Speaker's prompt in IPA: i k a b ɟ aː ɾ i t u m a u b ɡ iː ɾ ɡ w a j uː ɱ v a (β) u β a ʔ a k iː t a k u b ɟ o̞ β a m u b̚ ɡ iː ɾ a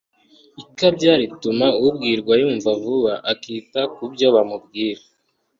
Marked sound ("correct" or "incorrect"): incorrect